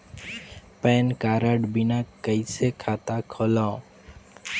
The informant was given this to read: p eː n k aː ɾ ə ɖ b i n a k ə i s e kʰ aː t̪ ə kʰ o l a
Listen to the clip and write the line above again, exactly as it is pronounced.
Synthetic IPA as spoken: p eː n k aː ɾ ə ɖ b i n a k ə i s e kʰ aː t̪ a kʰ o l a